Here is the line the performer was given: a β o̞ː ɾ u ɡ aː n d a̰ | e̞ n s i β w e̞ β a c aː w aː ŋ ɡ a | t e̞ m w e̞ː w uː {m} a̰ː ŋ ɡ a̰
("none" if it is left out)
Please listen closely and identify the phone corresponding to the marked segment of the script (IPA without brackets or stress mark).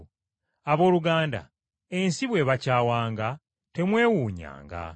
ɲ